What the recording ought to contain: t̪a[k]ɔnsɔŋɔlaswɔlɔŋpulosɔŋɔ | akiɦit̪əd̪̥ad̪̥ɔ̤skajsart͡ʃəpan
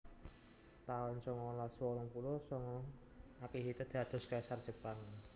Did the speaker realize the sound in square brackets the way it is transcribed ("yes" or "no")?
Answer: no